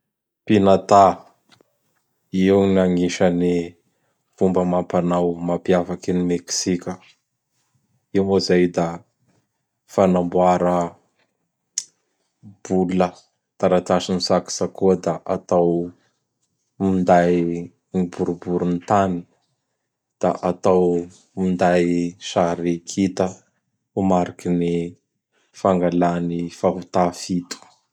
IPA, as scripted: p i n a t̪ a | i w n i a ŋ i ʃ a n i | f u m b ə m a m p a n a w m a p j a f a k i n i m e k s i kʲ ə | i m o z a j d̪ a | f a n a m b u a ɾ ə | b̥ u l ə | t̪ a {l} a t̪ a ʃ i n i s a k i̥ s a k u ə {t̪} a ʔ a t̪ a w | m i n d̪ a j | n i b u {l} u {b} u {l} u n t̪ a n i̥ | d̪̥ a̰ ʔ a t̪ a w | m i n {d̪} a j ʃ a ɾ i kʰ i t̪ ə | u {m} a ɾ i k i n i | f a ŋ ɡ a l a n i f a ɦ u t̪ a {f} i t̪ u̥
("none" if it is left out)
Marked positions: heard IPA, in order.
ɾ, d̪, ɾ, b, ɾ, d̪, m, f

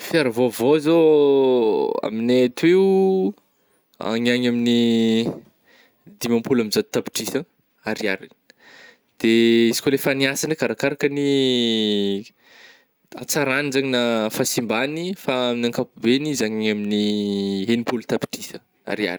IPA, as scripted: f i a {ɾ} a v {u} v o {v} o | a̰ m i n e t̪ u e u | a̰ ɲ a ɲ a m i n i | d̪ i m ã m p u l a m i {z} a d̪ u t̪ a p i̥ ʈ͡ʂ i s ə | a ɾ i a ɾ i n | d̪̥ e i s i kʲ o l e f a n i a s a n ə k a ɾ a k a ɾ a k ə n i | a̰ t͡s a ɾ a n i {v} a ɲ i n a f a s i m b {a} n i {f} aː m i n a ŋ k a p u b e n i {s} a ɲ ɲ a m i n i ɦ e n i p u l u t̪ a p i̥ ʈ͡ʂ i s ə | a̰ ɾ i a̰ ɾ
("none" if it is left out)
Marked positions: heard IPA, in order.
ɾ, o, z, z, z, a, f, z

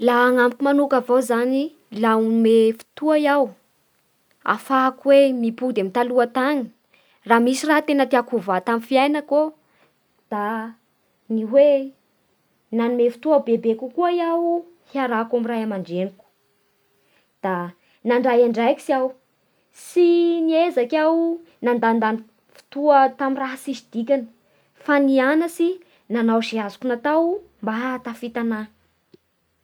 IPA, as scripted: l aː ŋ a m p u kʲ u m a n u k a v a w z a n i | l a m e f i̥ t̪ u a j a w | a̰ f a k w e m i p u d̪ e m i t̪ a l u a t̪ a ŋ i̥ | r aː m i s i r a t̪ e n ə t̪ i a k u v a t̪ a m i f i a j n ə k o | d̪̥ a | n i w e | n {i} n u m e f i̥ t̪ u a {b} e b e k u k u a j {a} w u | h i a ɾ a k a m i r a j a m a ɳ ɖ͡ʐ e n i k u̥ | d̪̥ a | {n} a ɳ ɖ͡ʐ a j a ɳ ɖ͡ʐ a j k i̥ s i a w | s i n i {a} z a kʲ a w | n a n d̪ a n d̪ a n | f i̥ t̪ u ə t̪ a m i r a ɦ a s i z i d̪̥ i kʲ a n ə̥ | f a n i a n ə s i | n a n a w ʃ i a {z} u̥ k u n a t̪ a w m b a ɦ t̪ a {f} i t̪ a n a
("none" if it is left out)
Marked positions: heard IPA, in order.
a, b, a, n, e, z, f

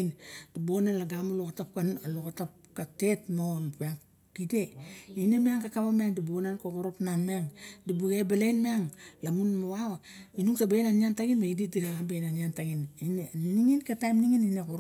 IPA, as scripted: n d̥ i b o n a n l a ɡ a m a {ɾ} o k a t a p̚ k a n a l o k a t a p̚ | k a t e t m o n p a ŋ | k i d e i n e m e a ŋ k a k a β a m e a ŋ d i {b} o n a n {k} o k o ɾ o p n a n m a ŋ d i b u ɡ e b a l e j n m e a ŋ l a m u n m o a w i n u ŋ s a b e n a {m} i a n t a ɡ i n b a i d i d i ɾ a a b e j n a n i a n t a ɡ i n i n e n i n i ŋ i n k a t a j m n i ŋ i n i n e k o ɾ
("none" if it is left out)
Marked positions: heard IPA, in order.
l, b, k, n

